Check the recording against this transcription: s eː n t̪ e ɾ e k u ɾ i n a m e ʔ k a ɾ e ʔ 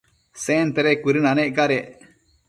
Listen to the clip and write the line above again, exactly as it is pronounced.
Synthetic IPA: s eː n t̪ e ɾ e k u ɾ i n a n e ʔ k a ɾ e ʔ